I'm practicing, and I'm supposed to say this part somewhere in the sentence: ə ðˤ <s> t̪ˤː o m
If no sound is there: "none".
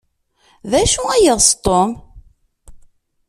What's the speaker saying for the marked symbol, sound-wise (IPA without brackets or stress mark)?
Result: s